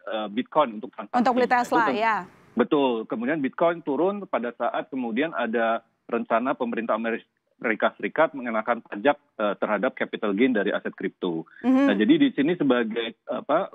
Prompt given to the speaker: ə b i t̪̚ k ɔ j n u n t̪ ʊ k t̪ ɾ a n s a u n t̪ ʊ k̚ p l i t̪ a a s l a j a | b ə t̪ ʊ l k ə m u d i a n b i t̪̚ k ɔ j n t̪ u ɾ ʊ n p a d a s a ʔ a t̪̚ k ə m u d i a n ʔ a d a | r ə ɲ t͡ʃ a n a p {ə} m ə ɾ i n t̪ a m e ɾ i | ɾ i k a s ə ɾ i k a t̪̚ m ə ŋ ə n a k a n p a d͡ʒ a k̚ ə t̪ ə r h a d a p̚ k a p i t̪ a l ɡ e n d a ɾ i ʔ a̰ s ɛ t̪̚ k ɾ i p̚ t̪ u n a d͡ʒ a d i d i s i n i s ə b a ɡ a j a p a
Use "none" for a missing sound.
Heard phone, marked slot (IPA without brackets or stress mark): ə